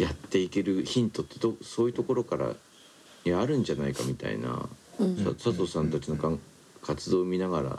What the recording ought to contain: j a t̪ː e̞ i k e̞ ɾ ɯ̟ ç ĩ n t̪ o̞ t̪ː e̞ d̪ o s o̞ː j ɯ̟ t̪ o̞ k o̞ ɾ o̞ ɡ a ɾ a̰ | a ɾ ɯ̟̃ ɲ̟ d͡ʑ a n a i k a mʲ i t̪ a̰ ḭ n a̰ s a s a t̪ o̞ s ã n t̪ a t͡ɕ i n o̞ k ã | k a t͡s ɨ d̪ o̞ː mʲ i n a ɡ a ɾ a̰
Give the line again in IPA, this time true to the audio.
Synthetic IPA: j a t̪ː e̞ i k e̞ ɾ ɯ̟ ç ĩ n t̪ o̞ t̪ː e̞ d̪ o s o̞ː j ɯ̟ t̪ o̞ k o̞ ɾ o̞ k a ɾ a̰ | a ɾ ɯ̟̃ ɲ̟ d͡ʑ a n a i k a mʲ i t̪ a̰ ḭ n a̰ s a s a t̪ o̞ s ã n t̪ a t͡ɕ i n o̞ k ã | k a t͡s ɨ d̪ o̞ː mʲ i n a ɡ a ɾ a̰